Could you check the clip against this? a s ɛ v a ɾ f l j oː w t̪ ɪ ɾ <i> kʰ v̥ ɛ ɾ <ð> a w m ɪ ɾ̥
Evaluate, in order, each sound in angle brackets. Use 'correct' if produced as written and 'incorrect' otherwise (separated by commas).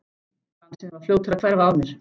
incorrect, incorrect